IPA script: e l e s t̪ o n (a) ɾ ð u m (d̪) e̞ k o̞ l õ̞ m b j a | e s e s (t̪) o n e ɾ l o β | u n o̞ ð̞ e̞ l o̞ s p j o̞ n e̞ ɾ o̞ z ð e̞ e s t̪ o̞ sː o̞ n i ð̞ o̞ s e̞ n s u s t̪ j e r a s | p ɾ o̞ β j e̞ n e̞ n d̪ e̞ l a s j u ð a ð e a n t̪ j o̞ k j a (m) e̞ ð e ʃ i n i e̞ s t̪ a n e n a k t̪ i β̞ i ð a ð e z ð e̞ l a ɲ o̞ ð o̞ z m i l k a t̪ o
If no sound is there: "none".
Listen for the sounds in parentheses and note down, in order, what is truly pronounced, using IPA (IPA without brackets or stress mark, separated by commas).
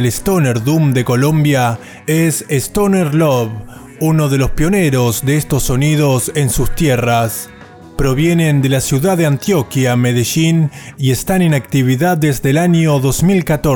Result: e, d̪, t̪, m